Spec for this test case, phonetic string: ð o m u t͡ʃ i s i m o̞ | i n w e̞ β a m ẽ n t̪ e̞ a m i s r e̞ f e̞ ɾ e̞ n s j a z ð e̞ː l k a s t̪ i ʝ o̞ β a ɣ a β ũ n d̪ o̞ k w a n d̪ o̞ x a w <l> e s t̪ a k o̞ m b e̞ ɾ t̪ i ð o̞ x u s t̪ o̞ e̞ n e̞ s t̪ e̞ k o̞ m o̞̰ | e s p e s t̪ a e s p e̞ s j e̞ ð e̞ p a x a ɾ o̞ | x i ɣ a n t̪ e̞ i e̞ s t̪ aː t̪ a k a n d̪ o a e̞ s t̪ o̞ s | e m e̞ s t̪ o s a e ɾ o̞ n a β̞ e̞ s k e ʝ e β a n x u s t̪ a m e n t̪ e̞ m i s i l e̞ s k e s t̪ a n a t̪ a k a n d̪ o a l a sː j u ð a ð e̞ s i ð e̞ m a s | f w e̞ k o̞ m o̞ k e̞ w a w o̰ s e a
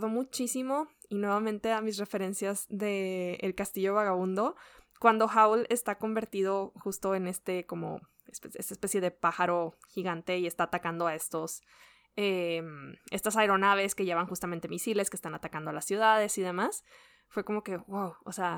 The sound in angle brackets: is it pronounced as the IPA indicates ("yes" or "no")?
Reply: yes